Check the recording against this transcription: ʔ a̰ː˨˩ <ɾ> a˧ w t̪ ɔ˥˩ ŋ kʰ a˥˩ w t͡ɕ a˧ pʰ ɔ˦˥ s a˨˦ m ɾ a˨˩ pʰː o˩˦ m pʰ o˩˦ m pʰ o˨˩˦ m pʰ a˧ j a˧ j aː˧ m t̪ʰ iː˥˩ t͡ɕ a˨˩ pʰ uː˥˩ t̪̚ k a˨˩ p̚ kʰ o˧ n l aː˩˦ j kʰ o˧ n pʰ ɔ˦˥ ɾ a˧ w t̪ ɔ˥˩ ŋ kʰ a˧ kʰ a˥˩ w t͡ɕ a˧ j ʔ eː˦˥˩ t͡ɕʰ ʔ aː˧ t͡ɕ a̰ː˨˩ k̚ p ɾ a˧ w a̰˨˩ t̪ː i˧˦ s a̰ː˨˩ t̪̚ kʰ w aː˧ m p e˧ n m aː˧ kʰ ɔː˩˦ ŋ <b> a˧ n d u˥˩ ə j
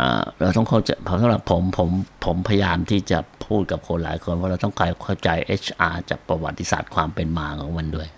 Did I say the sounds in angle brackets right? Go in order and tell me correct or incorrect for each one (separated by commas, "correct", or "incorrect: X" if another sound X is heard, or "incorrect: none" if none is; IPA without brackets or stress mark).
correct, incorrect: m